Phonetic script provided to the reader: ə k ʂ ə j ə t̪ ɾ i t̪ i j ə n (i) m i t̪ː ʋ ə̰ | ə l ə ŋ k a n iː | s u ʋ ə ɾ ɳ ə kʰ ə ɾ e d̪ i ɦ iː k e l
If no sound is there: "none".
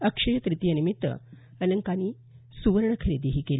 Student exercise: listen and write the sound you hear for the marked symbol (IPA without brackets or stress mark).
i